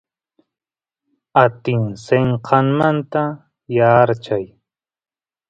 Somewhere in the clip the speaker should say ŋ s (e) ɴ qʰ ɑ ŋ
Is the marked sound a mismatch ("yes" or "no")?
no